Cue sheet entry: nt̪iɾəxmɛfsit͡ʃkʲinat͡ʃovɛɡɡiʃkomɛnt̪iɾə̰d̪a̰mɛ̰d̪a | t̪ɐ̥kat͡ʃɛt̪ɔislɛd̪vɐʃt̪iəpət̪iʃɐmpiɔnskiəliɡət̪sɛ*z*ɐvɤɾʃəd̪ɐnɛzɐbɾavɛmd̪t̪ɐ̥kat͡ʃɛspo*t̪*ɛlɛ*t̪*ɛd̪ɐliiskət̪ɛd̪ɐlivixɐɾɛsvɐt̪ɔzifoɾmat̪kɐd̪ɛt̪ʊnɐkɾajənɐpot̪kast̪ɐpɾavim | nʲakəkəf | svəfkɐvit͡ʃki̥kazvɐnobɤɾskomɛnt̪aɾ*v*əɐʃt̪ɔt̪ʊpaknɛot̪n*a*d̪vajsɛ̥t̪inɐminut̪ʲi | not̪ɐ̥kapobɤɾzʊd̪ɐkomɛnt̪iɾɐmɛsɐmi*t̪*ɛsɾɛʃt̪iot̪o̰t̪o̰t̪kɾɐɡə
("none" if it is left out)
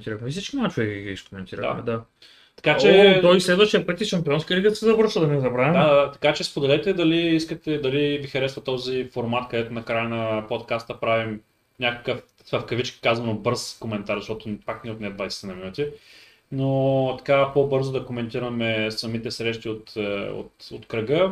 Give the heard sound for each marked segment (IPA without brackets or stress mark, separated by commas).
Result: z, d̪, t̪, z, ɛ, t̪